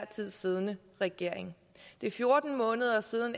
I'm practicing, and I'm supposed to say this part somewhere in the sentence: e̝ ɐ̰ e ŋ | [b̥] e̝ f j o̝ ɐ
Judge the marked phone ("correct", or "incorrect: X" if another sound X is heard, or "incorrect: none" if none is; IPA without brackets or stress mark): incorrect: d̥